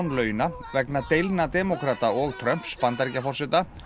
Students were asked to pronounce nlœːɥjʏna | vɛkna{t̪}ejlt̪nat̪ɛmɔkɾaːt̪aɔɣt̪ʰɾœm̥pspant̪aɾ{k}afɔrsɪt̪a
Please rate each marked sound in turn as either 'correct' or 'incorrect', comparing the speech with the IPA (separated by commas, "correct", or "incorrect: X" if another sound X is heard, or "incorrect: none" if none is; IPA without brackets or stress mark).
correct, incorrect: c